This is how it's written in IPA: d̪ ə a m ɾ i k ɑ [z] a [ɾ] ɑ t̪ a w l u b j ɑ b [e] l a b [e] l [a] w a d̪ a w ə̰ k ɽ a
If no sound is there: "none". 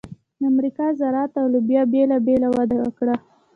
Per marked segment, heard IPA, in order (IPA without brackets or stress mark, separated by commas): z, ɾ, e, e, a